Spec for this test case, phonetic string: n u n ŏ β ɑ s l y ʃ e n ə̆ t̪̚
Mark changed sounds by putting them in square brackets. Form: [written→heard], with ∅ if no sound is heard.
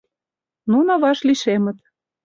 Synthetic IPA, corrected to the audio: n u n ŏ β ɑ [s→ʃ] l [y→i] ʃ e [n→m] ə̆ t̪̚